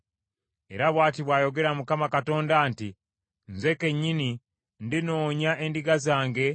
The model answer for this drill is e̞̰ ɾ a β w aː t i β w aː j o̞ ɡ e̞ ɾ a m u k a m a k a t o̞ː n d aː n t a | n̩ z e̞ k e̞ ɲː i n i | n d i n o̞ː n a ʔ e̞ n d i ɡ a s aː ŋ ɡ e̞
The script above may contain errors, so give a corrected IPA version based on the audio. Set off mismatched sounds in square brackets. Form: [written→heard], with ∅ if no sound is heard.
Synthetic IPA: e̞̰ ɾ a β w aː t i β w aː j o̞ ɡ e̞ ɾ a m u k a m a k a t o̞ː n d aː n t [a→i] | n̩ z e̞ k e̞ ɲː i n i | n d i n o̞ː [n→ɲ] a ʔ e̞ n d i ɡ a [s→z] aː ŋ ɡ e̞